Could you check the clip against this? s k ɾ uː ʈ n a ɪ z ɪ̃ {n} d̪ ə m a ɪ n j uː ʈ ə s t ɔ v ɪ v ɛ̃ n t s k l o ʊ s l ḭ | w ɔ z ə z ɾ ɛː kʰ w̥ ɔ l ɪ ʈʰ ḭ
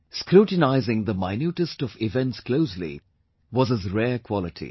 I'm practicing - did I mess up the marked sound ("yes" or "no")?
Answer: yes